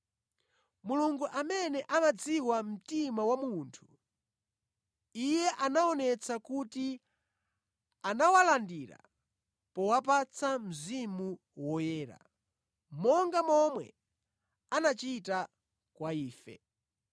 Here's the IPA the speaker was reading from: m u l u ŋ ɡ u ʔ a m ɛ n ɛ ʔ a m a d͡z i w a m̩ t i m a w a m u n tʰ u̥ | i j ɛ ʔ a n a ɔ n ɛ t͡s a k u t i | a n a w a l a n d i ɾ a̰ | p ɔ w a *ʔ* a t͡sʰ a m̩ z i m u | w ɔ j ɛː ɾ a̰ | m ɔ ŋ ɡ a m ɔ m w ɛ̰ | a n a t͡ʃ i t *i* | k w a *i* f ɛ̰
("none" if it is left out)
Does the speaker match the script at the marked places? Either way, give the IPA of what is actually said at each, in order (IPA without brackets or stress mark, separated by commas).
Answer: p, a, iː